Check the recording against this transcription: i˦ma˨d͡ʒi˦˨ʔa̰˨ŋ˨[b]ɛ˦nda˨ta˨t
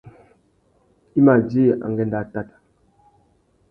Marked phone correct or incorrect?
incorrect